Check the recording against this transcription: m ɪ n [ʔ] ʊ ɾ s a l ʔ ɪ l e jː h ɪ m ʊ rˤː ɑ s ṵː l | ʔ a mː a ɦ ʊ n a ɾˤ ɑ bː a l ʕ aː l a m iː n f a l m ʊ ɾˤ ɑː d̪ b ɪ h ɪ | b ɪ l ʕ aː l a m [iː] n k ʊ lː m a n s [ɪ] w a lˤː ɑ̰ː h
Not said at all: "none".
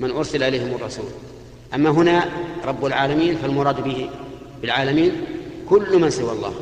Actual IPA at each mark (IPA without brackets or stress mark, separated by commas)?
ʔ, iː, ɪ